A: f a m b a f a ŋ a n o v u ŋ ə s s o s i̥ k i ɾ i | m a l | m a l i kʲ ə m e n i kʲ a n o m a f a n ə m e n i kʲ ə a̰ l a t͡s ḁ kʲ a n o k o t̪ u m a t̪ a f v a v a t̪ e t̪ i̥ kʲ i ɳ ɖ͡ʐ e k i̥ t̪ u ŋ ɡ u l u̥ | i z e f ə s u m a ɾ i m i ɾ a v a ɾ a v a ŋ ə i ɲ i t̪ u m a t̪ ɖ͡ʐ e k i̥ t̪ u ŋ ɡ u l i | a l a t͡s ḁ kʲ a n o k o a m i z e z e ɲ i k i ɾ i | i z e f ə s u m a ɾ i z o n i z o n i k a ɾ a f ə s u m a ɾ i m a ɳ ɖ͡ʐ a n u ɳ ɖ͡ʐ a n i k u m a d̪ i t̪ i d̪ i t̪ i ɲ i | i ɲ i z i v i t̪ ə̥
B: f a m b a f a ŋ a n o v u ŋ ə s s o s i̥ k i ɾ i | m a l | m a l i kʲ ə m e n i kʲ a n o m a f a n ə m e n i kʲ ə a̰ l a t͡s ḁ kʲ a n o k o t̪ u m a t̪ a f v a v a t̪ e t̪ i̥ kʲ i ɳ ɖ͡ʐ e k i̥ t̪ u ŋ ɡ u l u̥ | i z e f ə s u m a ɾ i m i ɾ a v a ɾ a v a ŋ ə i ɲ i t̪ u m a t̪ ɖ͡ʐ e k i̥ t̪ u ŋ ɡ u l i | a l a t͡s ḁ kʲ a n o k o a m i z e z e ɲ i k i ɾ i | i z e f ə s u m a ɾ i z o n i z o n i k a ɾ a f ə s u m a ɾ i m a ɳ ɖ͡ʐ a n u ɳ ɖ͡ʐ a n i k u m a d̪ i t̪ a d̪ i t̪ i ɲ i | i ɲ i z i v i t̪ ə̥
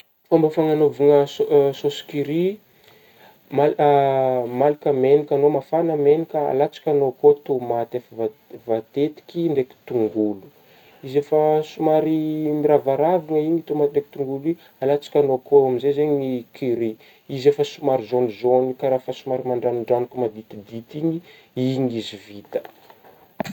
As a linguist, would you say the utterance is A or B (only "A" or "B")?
A